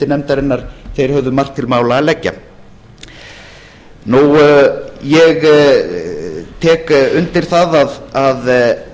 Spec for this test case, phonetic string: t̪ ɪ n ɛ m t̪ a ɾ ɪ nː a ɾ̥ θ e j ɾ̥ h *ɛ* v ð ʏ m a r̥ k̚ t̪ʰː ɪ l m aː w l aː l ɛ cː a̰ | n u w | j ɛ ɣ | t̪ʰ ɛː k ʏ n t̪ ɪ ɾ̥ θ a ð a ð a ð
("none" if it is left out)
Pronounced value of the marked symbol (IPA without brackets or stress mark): œ